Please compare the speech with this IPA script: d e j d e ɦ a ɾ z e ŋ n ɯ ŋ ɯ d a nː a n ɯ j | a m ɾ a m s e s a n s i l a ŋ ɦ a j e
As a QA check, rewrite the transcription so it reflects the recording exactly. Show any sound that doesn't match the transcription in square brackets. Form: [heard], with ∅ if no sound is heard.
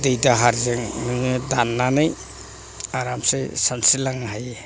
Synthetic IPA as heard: d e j d [a] ɦ a ɾ z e ŋ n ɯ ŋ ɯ d a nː a n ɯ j | a [∅] ɾ a m s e s a n s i l a ŋ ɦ a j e